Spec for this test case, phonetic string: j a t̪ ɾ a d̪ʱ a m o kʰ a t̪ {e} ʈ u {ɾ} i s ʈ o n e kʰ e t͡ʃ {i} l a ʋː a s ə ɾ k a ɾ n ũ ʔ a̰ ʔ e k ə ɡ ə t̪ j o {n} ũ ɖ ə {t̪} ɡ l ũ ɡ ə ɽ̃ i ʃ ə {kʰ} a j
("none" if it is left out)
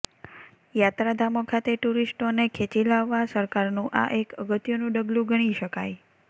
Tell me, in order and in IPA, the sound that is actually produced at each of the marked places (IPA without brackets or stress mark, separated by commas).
e, ɾ, i, n, none, k